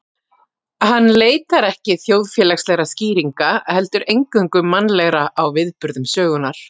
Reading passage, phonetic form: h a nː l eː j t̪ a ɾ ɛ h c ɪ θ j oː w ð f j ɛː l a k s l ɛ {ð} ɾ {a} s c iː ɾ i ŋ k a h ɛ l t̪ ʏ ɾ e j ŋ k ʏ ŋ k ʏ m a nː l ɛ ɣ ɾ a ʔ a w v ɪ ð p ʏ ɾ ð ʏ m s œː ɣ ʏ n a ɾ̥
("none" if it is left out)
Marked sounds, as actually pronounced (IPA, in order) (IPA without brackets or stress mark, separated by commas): ɣ, a